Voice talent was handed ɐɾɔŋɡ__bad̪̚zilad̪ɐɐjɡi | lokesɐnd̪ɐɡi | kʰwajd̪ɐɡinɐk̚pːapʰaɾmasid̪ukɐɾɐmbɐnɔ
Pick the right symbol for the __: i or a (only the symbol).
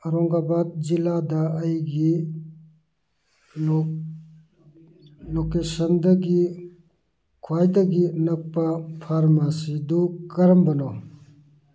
a